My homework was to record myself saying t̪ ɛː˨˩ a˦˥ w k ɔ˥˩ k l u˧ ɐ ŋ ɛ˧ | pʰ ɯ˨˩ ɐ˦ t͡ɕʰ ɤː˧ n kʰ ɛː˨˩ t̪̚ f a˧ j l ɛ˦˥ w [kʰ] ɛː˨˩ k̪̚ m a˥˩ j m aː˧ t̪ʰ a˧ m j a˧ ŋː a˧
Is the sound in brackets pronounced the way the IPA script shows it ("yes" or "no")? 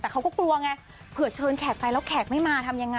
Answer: yes